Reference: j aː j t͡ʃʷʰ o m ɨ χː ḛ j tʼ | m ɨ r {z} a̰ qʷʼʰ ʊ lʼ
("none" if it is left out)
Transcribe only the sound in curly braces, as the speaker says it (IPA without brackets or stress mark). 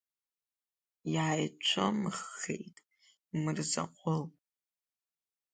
z